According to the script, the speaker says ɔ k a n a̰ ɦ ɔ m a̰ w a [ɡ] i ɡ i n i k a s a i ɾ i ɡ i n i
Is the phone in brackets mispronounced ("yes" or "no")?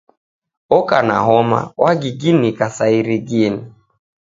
no